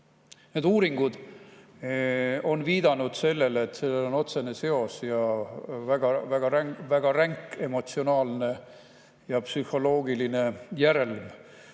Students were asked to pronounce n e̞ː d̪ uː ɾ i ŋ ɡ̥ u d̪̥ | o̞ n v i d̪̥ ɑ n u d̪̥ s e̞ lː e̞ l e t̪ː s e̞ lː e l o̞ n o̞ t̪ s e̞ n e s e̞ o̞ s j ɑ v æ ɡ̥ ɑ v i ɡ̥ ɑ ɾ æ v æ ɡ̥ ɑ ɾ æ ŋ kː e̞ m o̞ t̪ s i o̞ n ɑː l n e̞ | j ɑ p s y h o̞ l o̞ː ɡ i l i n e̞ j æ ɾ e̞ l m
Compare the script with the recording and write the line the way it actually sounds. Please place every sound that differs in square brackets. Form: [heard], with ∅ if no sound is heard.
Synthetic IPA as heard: n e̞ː d̪ uː ɾ i ŋ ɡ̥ u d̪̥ | o̞ n v [iː] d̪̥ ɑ n u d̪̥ s e̞ lː e̞ l e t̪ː s e̞ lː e l o̞ n o̞ t̪ s e̞ n e s e̞ o̞ s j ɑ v æ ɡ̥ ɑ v [æ] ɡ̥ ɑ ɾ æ v æ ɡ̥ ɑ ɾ æ ŋ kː e̞ m o̞ t̪ s i o̞ n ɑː l n e̞ | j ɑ p s y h o̞ l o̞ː ɡ i l i n e̞ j æ ɾ e̞ l m